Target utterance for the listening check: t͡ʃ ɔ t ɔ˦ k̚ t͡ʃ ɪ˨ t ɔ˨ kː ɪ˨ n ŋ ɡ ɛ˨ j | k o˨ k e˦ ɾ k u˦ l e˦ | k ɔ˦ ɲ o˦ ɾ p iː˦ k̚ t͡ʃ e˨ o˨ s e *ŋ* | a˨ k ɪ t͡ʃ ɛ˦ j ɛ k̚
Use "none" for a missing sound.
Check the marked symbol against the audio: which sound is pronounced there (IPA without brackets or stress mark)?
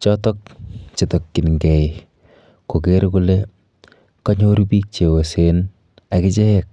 n